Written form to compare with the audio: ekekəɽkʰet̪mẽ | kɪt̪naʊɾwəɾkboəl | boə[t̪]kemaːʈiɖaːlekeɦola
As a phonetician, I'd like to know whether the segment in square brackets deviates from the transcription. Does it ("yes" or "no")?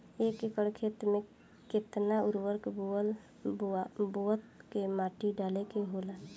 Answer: no